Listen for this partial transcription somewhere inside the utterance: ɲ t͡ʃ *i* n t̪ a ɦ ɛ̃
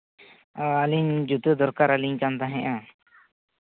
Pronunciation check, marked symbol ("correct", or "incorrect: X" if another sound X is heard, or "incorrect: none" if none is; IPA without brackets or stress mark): incorrect: a